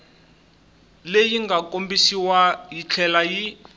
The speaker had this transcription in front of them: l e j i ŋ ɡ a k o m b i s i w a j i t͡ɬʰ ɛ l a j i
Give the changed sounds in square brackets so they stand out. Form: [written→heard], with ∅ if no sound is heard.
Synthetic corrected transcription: l e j i ŋ ɡ a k o m b i s i w a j i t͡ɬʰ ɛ l a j i